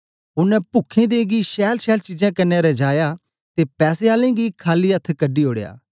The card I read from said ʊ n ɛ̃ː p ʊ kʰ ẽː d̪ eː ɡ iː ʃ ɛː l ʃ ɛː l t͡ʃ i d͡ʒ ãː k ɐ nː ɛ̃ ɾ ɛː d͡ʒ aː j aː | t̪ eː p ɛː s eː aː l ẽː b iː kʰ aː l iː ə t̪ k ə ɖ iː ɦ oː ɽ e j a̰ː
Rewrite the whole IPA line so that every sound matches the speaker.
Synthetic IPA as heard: ʊ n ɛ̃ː p ʊ kʰ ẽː d̪ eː ɡ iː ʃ ɛː l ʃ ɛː l t͡ʃ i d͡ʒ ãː k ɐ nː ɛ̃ ɾ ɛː d͡ʒ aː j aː | t̪ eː p ɛː s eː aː l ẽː ɡ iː kʰ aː l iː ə t̪ʰ k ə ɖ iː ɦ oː ɽ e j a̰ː